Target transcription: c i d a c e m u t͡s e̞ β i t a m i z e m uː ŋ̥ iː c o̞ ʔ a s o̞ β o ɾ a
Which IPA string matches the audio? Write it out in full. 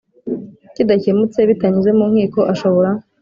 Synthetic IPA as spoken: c i d a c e m u t͡s e̞ β i t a ɲ i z e m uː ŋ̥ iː k o̞ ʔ a ʃ o̞ β o ɾ a